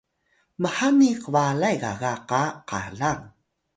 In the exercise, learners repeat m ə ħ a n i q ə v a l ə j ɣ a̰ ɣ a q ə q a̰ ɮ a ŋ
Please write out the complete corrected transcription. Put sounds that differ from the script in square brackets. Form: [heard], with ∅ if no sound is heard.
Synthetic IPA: m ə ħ a n i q ə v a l [a] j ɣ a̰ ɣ a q [a] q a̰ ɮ a ŋ